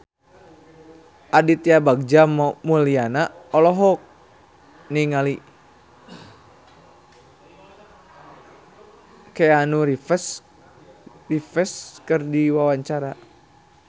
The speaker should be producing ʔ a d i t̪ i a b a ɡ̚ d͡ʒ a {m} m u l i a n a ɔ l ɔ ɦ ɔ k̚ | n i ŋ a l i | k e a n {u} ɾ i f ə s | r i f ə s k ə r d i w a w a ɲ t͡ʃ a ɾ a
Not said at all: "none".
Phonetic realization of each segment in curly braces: m, u

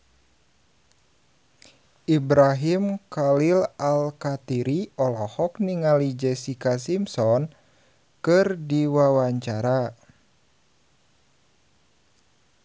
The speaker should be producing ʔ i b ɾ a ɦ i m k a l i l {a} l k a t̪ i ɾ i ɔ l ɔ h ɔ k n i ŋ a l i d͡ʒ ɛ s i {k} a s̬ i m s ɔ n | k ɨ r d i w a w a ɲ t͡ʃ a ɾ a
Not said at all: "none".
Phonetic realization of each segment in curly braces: a, k

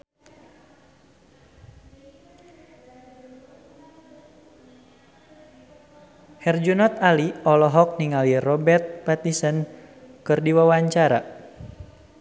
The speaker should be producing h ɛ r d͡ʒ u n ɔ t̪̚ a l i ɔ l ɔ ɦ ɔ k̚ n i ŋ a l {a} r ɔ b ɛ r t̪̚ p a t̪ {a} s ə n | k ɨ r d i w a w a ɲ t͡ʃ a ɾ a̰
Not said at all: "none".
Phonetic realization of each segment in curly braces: i, i

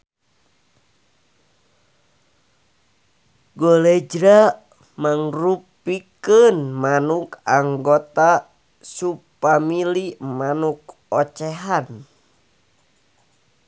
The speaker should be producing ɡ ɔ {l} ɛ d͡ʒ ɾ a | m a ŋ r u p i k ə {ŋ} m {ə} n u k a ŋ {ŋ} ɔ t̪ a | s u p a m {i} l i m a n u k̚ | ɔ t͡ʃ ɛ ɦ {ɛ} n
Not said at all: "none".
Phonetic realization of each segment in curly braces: l, n, a, ɡ, i, a

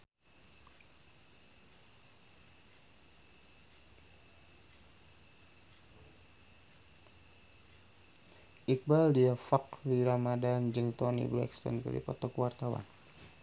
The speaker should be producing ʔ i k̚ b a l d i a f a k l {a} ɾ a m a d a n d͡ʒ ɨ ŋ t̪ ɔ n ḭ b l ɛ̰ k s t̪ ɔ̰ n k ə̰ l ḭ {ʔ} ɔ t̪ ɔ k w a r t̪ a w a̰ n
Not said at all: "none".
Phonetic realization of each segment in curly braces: i, p

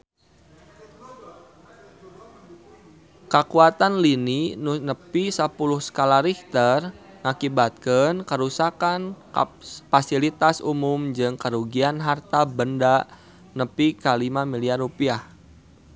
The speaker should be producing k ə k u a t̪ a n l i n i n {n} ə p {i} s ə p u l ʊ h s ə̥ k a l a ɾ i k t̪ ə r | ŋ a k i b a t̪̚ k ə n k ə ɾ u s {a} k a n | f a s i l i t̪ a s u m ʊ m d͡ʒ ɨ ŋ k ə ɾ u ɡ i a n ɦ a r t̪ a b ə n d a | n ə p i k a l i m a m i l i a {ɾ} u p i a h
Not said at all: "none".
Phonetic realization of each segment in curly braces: n, i, a, r

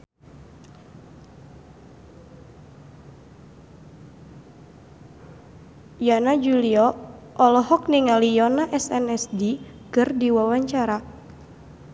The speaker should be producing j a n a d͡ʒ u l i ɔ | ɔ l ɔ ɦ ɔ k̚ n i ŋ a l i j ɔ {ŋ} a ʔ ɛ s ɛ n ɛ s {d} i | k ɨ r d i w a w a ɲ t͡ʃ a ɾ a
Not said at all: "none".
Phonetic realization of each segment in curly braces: n, d

